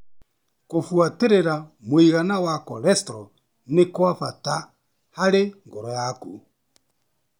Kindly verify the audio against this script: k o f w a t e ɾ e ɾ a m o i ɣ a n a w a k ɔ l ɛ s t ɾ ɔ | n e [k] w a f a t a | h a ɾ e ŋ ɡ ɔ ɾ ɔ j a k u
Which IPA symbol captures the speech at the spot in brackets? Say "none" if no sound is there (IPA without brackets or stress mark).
k